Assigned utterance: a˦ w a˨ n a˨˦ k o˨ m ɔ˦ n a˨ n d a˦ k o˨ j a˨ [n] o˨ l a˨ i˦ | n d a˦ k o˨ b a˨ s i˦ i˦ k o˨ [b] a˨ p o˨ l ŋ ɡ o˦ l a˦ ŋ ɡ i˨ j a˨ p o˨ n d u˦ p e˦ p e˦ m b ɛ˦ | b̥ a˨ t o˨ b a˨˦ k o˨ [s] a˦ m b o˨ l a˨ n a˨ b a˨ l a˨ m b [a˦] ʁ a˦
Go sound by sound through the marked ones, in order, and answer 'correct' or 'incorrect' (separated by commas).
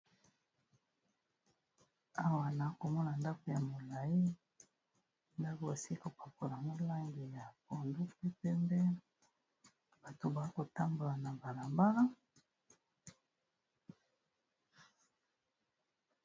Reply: incorrect, incorrect, incorrect, correct